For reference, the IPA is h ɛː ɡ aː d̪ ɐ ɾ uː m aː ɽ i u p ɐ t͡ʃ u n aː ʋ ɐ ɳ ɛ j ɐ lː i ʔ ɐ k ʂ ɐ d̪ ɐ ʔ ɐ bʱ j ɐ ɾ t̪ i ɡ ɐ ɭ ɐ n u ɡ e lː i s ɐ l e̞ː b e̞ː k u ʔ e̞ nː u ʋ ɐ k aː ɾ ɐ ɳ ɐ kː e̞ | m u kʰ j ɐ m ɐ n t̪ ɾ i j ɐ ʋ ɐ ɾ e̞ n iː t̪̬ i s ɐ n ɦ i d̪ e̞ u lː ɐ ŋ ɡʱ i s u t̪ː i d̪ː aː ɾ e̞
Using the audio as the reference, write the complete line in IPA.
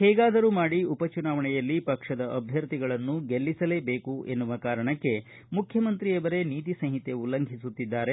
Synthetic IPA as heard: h ɛː ɡ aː d̪ ɐ ɾ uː m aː ɽ i u p ɐ t͡ʃ u n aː ʋ ɐ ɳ ɛ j ɐ lː i p ɐ k ʂ ɐ d̪ ɐ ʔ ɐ bʱ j ɐ ɾ t̪ i ɡ ɐ ɭ ɐ nː u ɡ e lː i s ɐ l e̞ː b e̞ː k u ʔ e̞ nː u ʋ ɐ k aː ɾ ɐ ɳ ɐ kː e̞ | m u kʰ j ɐ m ɐ n t̪ ɾ i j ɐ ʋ ɐ ɾ e̞ n iː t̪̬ i s ɐ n ɦ i t̪ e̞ u lː ɐ ŋ ɡʱ i s u t̪ː i d̪ː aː ɾ e̞

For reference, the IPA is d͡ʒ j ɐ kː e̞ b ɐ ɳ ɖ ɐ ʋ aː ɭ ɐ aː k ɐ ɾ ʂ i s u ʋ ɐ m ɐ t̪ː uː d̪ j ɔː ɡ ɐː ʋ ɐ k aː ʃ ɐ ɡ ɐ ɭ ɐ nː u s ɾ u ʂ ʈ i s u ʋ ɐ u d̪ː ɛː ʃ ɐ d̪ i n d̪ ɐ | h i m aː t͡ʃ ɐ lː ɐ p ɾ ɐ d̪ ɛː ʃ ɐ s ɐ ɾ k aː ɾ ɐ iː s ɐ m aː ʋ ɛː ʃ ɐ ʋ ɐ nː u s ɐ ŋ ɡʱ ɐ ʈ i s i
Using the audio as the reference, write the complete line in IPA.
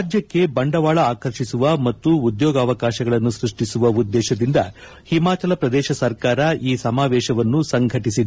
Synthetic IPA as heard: d͡ʒ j ɐ kː e̞ b ɐ ɳ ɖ ɐ ʋ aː ɭ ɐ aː k ɐ ɾ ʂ i s u ʋ ɐ m ɐ t̪ː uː d̪ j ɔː ɡ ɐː ʋ ɐ k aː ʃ ɐ ɡ ɐ ɭ ɐ nː u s ɾ u ʂ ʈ i s u ʋ ɐ u d̪ː ɛː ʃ ɐ d̪ i n d̪ ɐ | h i m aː t͡ʃ ɐ l ɐ p ɾ ɐ d̪ ɛː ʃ ɐ s ɐ ɾ k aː ɾ ɐ iː s ɐ m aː ʋ ɛː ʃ ɐ ʋ ɐ nː u s ɐ ŋ ɡʱ ɐ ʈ i s i

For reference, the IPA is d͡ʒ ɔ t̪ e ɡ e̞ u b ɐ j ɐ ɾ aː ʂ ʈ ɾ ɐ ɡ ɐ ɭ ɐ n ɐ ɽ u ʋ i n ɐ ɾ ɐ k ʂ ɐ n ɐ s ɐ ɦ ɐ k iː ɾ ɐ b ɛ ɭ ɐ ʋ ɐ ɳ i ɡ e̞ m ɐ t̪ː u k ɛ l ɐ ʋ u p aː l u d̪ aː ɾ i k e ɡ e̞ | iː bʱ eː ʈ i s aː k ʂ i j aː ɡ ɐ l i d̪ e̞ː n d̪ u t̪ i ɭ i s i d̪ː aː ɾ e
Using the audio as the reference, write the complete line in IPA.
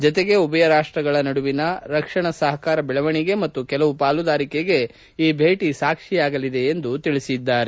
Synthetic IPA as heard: d͡ʒ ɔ t̪ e ɡ e̞ u b ɐ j ɐ ɾ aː ʂ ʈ ɾ ɐ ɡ ɐ ɭ ɐ n ɐ ɽ u ʋ i n ɐ ɾ ɐ k ʂ ɐ ɳ ɐ s ɐ ɦ ɐ k aː ɾ ɐ b ɛ ɭ ɐ ʋ ɐ ɳ i ɡ e̞ m ɐ t̪ː u k ɛ l ɐ ʋ u p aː l u d̪ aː ɾ i k e ɡ e̞ | iː bʱ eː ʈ i s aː k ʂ i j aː ɡ ɐ l i d̪ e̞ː n d̪ u t̪ i ɭ i s i d̪ː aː ɾ e

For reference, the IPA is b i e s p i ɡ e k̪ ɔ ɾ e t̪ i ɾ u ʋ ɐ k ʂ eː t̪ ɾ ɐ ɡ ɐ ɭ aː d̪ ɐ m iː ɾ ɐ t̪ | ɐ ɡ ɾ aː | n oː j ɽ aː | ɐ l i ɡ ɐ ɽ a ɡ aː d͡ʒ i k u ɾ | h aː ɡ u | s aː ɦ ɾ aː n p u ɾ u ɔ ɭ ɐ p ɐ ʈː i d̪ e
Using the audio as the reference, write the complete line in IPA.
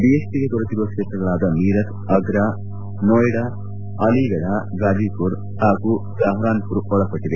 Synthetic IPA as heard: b i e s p i ɡ e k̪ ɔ ɾ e t̪ i ɾ u ʋ ɐ k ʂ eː t̪ ɾ ɐ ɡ ɐ ɭ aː d̪ ɐ m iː ɾ ɐ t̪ | ɐ ɡ ɾ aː | n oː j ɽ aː | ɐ l i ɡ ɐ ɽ a ɡ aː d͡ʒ i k u ɾ | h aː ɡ u | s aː ɦ ɾ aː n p u ɾ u ɔ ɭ ɐ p ɐ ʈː i d̪ e

